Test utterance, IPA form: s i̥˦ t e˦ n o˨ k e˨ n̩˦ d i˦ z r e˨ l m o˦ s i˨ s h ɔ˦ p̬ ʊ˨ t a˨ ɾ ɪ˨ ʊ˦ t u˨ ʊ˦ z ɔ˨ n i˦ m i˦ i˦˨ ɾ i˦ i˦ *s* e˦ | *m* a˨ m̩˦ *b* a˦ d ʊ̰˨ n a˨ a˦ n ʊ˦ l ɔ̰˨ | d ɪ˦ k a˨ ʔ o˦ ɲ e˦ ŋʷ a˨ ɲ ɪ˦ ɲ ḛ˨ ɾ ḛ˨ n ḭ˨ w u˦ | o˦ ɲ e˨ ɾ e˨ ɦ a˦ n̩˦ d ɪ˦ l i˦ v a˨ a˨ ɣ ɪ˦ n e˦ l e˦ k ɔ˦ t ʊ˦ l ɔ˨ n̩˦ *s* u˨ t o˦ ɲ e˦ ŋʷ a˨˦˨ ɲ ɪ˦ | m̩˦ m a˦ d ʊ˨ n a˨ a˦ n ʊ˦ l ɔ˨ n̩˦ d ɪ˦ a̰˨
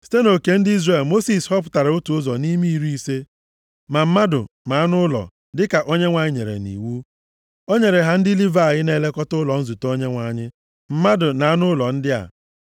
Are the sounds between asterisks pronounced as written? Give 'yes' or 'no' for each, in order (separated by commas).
yes, yes, no, no